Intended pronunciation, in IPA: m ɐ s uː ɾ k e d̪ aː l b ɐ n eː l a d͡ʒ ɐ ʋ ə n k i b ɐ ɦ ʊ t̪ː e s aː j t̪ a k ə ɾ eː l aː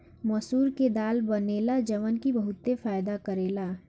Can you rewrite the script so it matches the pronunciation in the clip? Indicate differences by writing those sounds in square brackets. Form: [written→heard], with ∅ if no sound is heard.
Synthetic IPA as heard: m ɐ s uː ɾ k e d̪ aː l b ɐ n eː l a d͡ʒ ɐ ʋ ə n k i b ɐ ɦ ʊ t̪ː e [s→f] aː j [t̪→d̪] a k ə ɾ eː l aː